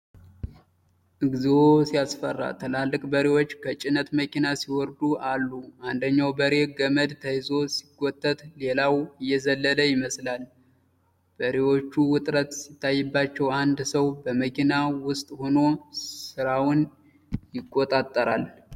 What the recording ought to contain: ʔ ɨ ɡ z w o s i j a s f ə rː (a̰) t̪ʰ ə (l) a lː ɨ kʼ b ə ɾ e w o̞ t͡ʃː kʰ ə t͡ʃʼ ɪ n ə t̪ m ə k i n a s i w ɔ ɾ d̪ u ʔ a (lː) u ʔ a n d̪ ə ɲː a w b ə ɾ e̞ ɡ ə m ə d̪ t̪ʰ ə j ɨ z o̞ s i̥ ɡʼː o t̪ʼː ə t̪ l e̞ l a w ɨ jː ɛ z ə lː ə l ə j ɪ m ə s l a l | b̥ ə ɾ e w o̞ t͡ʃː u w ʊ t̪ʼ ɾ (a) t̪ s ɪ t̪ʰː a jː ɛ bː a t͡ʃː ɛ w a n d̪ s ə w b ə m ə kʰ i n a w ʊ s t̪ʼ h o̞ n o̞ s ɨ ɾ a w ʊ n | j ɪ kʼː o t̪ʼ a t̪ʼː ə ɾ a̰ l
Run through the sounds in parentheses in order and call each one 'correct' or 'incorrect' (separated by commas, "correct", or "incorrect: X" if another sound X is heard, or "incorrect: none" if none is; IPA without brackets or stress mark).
correct, correct, correct, incorrect: ə